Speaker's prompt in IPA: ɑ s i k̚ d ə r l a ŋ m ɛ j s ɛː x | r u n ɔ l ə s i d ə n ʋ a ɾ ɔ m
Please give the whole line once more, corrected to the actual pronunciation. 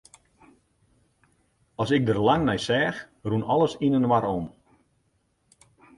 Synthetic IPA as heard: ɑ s ɪ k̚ d ə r l a ŋ n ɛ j s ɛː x | r u n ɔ l ə s i n ə n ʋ a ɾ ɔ m